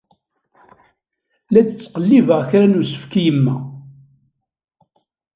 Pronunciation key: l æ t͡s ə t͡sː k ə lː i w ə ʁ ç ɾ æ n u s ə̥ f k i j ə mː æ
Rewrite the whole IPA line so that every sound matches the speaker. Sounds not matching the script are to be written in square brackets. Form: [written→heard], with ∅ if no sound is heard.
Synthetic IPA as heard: l æ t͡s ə t͡sː [k→q] ə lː i [w→v] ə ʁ ç ɾ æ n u s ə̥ f k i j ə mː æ